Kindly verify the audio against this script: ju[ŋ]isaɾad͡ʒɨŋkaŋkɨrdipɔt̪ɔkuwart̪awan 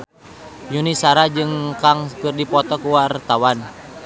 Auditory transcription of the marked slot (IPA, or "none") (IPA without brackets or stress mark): n